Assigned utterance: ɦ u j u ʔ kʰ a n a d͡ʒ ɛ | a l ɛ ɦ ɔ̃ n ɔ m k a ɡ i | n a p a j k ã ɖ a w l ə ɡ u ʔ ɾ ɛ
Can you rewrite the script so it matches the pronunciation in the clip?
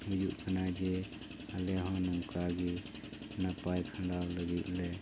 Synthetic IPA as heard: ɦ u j u ʔ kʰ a n a d͡ʒ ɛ | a l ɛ ɦ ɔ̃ n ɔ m k a ɡ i | n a p a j kʰ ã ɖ a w l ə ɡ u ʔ l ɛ